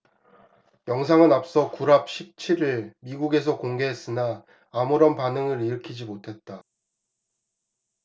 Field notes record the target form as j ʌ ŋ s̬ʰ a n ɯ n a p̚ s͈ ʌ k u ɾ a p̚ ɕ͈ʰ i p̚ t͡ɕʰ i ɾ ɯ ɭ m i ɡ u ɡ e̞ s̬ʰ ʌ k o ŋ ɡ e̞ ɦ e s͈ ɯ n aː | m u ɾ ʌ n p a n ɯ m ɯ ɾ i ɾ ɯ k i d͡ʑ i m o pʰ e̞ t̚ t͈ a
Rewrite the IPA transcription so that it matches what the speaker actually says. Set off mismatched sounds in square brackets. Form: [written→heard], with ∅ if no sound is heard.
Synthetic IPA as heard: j ʌ ŋ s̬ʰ a [n→ŋ] ɯ n a p̚ s͈ ʌ k u ɾ a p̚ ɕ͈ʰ i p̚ t͡ɕʰ i ɾ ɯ ɭ m i ɡ u ɡ e̞ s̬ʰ ʌ k o ŋ ɡ e̞ ɦ e s͈ ɯ n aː | m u ɾ ʌ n p a n ɯ [m→ŋ] ɯ ɾ i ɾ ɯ [k→kʰ] i d͡ʑ i m o [pʰ→tʰ] e̞ t̚ t͈ a